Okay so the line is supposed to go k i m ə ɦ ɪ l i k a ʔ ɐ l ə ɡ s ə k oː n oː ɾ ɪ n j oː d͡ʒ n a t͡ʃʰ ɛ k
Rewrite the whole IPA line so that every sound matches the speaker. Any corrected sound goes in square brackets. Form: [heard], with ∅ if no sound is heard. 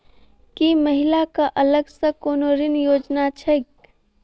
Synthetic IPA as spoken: k i m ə ɦ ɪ l [a] k a ʔ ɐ l ə ɡ s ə k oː n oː ɾ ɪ n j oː d͡ʒ n a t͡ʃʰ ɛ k